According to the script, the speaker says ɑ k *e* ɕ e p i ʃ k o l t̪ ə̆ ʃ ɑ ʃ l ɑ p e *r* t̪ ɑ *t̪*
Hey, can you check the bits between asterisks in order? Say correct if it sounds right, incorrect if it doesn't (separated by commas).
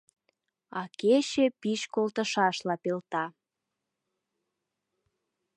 correct, incorrect, incorrect